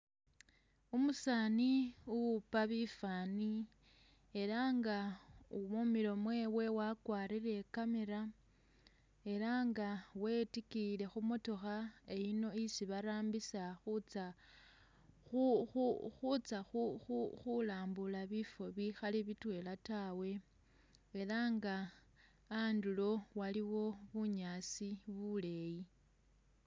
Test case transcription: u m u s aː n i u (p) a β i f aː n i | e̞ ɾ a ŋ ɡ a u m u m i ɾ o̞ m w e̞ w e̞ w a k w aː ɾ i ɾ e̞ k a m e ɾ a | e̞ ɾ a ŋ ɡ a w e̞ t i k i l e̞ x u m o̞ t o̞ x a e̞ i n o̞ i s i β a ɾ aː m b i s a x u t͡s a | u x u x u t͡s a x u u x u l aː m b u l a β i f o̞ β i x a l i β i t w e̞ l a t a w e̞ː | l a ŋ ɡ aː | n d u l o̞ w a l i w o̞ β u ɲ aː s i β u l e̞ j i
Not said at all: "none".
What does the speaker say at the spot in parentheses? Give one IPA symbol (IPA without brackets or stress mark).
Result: p